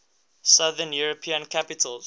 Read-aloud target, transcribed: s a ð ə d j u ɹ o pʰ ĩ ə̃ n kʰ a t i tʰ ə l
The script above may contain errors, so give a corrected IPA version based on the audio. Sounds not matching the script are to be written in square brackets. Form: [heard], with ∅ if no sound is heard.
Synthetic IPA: s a ð ə [n] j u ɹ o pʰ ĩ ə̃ n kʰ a [p] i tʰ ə l